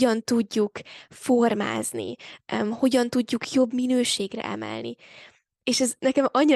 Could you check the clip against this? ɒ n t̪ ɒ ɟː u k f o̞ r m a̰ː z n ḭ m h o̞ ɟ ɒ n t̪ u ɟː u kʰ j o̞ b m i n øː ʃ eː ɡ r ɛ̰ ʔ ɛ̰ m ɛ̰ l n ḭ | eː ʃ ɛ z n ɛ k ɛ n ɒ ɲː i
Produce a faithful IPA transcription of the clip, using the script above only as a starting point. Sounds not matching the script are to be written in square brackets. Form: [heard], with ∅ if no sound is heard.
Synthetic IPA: ɒ n t̪ [u] ɟː u k f o̞ r m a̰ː z n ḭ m h o̞ ɟ ɒ n t̪ u ɟː u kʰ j o̞ b m i n øː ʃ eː ɡ r ɛ̰ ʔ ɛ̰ m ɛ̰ l n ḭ | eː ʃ ɛ z n ɛ k ɛ [m] ɒ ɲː i